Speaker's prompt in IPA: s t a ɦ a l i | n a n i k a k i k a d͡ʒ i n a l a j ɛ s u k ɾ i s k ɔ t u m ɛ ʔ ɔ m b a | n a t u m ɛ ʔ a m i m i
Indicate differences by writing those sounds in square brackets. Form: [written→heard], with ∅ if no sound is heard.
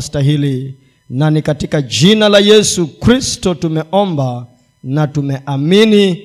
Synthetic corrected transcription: s t a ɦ [a→i] l i | n a n i k a [k→t] i k a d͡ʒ i n a l a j ɛ s u k ɾ i s [k→t] ɔ t u m ɛ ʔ ɔ m b a | n a t u m ɛ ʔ a m i [m→n] i